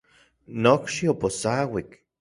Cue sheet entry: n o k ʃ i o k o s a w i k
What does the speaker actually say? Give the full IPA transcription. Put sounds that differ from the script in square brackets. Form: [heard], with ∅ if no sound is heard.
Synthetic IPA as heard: n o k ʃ i o [p] o s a w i k